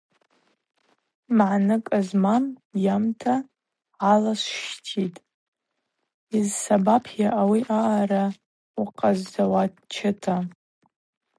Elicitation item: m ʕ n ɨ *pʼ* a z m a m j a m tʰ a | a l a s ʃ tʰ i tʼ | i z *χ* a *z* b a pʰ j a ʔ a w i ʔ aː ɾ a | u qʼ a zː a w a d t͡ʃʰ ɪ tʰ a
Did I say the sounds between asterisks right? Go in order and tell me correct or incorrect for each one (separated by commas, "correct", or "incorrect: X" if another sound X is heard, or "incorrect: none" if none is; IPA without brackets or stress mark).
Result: incorrect: kʼ, incorrect: s, incorrect: none